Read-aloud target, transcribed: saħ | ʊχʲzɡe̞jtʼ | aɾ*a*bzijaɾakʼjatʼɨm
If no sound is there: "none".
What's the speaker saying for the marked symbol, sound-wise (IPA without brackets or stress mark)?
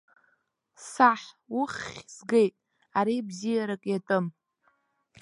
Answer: i